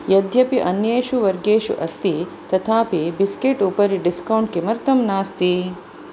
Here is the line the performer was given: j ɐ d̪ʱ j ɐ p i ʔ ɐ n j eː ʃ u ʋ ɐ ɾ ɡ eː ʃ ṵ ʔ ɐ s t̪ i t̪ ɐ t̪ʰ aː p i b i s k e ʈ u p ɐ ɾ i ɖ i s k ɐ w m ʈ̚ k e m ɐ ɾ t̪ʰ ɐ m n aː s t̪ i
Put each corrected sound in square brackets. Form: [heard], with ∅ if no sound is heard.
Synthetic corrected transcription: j ɐ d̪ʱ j ɐ p i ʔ ɐ n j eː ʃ u ʋ ɐ ɾ ɡ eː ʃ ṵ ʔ ɐ s t̪ i t̪ ɐ t̪ʰ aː p i b i s k e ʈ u p ɐ ɾ i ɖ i s k ɐ w [ɳ] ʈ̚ k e m ɐ ɾ [t̪] ɐ m n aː s t̪ i